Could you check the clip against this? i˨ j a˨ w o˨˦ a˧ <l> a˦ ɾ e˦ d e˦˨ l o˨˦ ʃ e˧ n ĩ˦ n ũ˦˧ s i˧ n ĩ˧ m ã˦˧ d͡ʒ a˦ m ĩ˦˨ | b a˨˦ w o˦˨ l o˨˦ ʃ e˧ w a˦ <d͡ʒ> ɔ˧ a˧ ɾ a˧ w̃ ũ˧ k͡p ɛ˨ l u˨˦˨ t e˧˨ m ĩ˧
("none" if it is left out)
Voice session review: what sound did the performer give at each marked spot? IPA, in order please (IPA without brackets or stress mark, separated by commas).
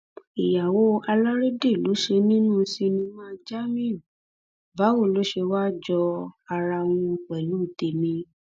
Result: l, d͡ʒ